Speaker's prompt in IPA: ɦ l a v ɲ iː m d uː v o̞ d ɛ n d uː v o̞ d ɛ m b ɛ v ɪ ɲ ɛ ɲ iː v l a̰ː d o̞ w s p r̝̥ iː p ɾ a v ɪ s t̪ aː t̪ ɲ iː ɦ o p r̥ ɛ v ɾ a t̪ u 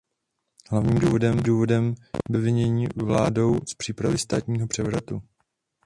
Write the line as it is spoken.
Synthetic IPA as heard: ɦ l a v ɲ iː m d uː v o̞ d ɛ m d uː v o̞ d ɛ m b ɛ v ɪ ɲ ɛ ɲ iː v l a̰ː d o̞ w s p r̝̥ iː p ɾ a v ɪ s t̪ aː t̪ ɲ iː ɦ o p r̥ ɛ v ɾ a t̪ u